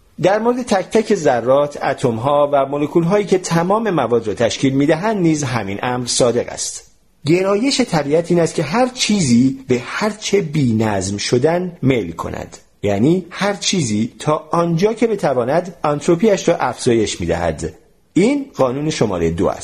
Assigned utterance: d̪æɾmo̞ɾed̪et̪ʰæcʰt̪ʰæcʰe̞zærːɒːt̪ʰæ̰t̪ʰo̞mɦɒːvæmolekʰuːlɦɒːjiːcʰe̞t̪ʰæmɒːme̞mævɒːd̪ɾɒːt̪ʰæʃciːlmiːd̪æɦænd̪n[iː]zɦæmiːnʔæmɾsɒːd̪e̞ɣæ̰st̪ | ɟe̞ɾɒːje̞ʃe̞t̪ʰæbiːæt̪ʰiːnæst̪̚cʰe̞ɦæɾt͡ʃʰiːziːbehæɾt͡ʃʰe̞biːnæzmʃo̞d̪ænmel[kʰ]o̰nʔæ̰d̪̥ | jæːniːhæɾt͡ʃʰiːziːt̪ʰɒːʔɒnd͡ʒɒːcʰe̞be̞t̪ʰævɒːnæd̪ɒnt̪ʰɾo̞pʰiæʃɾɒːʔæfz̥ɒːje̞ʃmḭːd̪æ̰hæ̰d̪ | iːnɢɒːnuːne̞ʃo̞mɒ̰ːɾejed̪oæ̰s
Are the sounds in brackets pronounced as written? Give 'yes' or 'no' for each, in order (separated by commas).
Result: yes, yes